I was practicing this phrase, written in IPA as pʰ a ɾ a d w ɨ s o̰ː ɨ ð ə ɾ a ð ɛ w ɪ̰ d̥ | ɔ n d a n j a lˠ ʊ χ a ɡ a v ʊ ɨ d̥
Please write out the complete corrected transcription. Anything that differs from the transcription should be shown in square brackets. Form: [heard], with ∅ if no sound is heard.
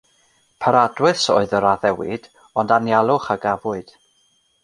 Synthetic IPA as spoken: pʰ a ɾ a d w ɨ s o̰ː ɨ ð ə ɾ a ð ɛ w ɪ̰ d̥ | ɔ n d a n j a lˠ ʊ χ a ɡ a v ʊ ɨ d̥